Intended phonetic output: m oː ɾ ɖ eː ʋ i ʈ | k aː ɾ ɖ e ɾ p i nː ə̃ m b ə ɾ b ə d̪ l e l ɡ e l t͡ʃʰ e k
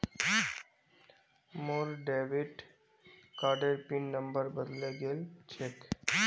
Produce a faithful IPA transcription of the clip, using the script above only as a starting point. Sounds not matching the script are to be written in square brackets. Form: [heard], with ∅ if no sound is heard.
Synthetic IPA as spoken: m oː ɾ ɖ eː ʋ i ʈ | k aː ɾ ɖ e ɾ p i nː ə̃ m b ə ɾ b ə d̪ l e [∅] ɡ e l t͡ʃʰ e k